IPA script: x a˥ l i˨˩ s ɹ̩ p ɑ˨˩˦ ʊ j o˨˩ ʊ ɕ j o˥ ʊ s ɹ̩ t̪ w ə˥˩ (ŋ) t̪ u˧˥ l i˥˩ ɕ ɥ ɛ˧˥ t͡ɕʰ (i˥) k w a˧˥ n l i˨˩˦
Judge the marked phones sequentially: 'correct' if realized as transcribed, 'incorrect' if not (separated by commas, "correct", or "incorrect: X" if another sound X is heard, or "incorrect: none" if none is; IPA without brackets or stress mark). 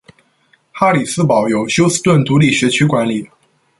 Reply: incorrect: n, incorrect: y˥